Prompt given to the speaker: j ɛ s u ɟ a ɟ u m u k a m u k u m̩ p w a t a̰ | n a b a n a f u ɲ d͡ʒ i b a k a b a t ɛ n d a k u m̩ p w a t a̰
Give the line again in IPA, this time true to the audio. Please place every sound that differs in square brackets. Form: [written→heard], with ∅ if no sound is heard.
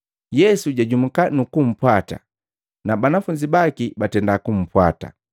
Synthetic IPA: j ɛ s u ɟ a ɟ u m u k a [m→n] u k u m̩ p w a t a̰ | n a b a n a f u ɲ d͡ʒ i b a k [a→i] b a t ɛ n d a k u m̩ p w a t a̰